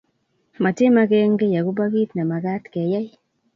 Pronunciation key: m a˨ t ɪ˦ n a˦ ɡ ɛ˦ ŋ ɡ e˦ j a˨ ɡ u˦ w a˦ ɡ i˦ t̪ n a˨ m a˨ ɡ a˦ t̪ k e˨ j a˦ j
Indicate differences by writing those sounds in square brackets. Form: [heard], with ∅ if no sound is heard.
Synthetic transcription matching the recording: m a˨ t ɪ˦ [m] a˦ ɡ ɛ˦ ŋ ɡ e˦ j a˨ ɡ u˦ [b] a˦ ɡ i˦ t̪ n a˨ m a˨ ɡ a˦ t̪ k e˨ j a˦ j

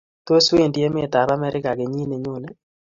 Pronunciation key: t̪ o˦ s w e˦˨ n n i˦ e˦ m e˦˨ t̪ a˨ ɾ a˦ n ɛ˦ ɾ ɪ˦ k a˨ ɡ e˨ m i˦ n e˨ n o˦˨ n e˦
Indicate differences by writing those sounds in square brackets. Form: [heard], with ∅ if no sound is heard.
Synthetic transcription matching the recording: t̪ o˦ s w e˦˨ n [d] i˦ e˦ m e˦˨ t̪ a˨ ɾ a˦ [m] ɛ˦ ɾ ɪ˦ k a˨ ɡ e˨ [ɲ] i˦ n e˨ [ɲ] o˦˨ n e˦

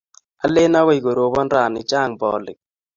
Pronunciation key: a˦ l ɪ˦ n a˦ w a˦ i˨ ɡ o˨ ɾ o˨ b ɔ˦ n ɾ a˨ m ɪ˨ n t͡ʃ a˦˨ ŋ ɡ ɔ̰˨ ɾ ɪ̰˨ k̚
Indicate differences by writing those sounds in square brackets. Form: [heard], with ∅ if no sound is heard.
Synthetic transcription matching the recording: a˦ l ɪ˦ n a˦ w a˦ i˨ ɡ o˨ ɾ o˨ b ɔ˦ n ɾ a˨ [n] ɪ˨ [∅] t͡ʃ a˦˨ ŋ [b] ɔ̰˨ [l] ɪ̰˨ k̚

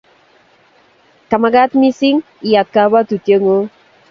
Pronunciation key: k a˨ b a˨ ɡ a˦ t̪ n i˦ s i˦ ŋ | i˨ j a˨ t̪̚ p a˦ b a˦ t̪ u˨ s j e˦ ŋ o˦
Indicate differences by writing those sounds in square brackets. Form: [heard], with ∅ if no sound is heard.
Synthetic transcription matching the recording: k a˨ [m] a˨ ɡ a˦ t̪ [m] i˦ s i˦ ŋ | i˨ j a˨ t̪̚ [k] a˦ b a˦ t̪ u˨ [t] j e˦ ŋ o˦

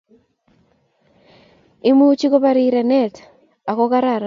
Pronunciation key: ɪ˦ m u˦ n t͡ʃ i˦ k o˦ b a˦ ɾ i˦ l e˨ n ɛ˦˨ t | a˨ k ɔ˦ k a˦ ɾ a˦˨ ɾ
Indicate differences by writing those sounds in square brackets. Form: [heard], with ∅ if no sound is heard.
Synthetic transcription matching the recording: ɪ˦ m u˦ [∅] t͡ʃ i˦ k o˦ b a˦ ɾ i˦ [ɾ] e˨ n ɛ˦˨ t | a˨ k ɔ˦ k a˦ ɾ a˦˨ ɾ

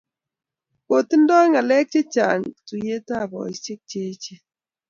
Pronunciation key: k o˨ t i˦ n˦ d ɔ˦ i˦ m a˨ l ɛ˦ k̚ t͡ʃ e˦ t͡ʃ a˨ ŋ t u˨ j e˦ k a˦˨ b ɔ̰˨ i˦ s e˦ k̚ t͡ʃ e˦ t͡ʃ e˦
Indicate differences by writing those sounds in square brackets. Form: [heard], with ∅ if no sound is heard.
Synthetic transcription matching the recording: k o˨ t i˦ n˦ d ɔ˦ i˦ [ŋ] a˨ l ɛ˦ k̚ t͡ʃ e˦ t͡ʃ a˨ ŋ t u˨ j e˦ [t] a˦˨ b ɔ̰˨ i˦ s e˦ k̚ t͡ʃ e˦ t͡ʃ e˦

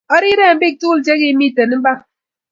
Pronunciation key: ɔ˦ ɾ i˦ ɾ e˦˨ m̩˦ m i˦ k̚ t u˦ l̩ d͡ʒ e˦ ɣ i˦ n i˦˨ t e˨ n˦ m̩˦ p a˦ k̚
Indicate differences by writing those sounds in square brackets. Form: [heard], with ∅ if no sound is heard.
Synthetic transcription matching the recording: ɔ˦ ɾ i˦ ɾ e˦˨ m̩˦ [b] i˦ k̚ t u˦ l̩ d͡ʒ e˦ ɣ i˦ [m] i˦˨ t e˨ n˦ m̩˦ [b] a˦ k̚

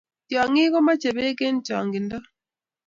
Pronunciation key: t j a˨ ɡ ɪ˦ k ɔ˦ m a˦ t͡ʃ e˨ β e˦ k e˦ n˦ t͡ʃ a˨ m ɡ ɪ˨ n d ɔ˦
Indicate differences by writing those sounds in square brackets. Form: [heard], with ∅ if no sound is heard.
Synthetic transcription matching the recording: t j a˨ [ŋ] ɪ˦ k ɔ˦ m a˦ t͡ʃ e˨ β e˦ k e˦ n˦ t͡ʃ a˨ [ŋ] ɡ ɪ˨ n d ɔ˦

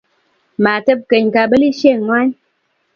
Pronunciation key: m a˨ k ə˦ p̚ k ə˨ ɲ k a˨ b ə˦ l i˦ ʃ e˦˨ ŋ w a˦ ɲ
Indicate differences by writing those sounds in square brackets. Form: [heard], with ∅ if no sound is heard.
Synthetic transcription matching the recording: m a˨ [t] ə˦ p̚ k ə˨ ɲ k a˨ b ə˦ l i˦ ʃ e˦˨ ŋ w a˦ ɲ

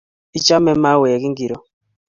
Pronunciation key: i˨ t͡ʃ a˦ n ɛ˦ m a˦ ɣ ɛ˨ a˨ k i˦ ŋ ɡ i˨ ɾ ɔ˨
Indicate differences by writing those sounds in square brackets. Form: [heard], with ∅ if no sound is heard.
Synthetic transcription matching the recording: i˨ t͡ʃ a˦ [m] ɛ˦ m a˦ [w] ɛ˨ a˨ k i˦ ŋ ɡ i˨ ɾ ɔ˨

